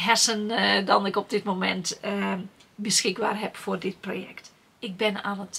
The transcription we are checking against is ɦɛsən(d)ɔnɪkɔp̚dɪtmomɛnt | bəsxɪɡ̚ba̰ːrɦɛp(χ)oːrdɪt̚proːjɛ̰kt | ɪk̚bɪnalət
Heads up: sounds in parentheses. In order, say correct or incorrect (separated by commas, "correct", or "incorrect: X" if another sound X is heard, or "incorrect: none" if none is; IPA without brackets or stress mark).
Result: correct, incorrect: f